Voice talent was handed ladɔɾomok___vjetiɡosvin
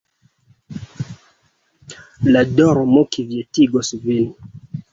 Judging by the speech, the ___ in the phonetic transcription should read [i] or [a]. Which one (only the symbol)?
i